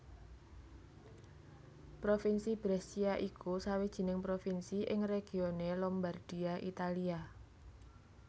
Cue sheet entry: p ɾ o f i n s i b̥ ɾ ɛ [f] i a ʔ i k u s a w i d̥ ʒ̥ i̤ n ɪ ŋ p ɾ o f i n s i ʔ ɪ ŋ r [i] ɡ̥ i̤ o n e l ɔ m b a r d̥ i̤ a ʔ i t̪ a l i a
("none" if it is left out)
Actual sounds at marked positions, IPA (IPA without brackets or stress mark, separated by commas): s, e